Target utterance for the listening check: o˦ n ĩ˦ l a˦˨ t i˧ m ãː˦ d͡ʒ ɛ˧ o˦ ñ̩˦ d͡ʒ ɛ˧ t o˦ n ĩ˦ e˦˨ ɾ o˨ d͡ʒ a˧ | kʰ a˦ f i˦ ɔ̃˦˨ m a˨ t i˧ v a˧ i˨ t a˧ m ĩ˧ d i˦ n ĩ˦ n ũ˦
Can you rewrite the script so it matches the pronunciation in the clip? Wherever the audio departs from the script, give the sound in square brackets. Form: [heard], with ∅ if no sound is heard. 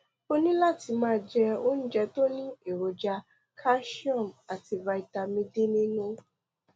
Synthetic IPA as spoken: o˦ n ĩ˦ l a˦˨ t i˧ m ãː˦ d͡ʒ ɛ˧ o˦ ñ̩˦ d͡ʒ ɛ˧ t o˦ n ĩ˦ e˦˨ ɾ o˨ d͡ʒ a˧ | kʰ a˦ [ʃ] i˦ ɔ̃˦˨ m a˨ t i˧ v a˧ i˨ t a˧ m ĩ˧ d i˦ n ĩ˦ n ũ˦